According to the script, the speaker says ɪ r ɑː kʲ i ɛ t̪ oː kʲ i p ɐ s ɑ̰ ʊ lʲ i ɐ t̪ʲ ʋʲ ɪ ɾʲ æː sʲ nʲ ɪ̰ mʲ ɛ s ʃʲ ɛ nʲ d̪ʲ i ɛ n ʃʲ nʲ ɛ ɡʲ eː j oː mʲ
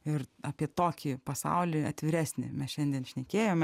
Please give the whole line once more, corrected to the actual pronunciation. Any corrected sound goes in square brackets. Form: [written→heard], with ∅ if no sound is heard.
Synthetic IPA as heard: ɪ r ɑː [kʲ→pʲ] i ɛ t̪ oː kʲ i p ɐ s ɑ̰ ʊ lʲ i ɐ t̪ʲ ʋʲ ɪ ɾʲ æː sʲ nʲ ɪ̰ mʲ ɛ s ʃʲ ɛ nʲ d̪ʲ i ɛ n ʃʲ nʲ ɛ [ɡʲ→kʲ] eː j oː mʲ